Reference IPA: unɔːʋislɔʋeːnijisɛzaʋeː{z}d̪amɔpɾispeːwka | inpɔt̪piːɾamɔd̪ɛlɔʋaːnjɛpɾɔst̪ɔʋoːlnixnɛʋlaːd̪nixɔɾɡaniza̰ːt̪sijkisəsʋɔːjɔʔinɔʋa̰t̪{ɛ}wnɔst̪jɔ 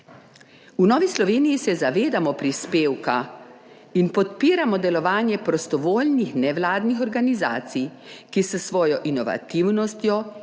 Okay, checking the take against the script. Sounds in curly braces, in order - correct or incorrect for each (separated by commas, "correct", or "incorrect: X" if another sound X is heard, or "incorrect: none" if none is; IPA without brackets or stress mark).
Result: incorrect: none, incorrect: i